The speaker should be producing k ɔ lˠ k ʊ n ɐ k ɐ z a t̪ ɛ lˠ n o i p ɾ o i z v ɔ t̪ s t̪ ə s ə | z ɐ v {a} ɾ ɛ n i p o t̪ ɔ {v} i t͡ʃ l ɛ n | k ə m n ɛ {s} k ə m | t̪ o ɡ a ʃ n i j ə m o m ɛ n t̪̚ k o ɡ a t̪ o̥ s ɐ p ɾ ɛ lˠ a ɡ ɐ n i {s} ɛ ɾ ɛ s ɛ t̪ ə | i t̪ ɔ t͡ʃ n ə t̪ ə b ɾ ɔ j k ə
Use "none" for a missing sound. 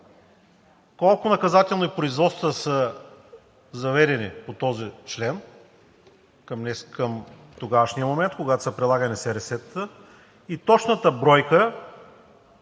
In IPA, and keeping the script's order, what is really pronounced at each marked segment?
ɛ, z, s, s

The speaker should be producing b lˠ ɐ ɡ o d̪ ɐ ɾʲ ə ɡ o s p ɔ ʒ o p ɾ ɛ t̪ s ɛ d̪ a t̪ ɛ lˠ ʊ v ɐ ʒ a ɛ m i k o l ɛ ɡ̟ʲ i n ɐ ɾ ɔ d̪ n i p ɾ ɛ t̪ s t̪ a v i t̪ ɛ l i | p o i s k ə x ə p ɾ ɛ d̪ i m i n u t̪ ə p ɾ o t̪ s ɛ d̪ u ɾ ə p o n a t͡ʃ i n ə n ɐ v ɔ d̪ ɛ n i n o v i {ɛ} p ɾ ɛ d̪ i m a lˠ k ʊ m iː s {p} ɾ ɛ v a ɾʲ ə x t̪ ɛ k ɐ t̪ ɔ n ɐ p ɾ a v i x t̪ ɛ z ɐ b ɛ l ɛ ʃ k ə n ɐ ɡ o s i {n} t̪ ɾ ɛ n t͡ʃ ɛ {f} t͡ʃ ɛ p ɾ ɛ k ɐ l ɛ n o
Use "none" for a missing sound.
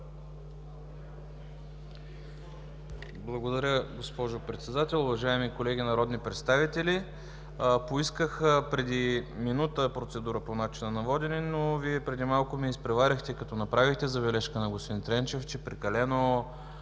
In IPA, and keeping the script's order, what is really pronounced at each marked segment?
ɛ, p, n, f

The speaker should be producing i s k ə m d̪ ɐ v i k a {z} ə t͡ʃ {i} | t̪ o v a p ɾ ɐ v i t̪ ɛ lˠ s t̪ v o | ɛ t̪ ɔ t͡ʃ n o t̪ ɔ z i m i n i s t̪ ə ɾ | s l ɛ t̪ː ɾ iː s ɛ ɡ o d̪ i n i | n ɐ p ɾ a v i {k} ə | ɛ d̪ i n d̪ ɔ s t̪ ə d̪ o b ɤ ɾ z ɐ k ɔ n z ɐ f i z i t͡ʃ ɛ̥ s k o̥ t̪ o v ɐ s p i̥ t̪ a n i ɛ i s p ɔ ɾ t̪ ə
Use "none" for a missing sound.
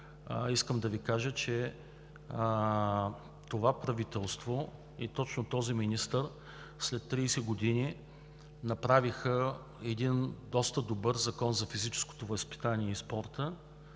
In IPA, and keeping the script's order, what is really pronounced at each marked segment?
ʒ, ɛ, x

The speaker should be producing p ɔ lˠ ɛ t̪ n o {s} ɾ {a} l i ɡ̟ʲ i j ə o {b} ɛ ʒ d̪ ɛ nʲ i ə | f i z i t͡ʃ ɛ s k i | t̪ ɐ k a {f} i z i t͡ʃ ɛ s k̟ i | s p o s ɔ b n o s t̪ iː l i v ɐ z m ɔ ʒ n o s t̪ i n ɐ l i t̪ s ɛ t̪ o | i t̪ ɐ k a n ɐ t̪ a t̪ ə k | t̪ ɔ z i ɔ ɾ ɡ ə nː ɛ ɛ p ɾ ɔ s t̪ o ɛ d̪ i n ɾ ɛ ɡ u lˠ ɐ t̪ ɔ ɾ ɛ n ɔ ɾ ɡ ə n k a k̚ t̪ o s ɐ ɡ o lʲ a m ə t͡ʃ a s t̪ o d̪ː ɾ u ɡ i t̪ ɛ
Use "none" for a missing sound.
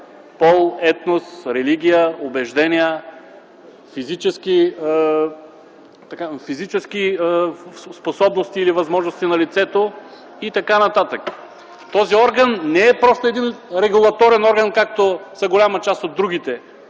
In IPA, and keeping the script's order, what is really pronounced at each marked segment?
s, ɛ, b, f

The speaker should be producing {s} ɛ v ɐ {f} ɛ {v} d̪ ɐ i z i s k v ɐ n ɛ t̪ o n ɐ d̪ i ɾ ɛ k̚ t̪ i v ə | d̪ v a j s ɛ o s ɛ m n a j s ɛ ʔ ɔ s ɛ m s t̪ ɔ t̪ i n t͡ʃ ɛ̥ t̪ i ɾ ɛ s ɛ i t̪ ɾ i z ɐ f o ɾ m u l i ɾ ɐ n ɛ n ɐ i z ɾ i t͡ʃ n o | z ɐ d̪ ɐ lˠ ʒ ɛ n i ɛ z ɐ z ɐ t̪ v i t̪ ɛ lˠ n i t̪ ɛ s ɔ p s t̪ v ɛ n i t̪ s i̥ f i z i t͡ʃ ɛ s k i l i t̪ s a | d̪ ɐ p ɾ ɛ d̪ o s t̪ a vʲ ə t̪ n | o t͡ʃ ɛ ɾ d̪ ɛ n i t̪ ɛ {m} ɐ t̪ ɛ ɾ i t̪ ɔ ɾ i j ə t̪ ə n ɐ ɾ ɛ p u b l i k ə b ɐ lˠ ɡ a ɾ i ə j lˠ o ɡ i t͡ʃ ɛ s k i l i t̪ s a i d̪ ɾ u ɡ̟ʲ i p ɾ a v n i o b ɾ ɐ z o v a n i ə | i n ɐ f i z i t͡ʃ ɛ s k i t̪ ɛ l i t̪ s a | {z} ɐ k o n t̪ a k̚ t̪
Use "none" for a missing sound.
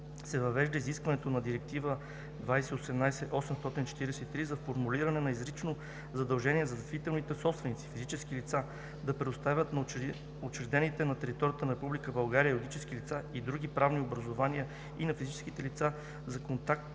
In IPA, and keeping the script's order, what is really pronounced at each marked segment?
s, v, ʒ, n, z

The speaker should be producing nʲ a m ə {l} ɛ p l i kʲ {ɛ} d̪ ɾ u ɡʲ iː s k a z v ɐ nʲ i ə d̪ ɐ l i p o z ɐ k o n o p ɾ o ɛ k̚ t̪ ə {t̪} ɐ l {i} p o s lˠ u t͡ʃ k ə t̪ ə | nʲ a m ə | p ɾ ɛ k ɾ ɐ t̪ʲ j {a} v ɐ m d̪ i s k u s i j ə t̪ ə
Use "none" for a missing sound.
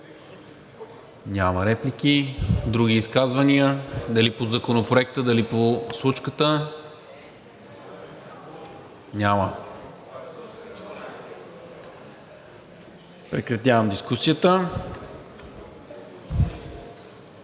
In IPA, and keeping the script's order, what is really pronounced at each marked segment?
ɾ, i, d̪, i, a

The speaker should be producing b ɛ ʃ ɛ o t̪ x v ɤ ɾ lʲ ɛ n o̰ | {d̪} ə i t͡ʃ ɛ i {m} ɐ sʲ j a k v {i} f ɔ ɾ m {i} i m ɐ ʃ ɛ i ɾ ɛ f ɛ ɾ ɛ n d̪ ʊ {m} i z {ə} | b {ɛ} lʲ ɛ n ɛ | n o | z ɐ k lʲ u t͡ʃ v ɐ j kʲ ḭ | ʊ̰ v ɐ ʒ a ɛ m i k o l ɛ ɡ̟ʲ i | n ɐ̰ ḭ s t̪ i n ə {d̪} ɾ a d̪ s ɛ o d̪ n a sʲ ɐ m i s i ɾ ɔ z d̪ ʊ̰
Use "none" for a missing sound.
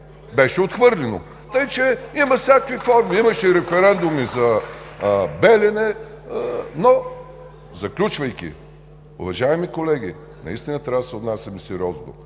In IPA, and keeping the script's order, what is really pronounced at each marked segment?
t̪, m, i, i, m, ɐ, ɛ, t̪

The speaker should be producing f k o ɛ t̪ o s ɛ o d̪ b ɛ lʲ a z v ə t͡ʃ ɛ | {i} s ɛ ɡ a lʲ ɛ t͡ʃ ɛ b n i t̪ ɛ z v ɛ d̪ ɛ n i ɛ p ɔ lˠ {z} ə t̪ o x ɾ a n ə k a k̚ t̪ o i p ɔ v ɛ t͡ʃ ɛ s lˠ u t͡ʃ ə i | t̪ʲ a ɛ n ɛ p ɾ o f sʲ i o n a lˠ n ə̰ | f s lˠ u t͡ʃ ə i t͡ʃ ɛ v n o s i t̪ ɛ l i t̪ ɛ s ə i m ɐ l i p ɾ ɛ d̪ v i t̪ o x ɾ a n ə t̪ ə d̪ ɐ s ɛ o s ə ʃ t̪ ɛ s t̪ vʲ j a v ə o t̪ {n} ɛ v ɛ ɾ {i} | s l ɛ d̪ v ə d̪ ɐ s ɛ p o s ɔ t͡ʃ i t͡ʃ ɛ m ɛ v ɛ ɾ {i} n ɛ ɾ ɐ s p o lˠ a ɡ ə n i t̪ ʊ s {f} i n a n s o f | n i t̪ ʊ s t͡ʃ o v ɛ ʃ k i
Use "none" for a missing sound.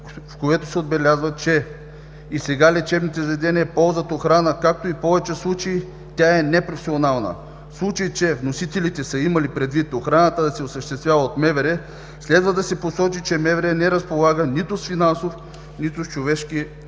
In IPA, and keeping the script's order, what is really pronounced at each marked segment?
i, z, m, ɛ, ɛ, f

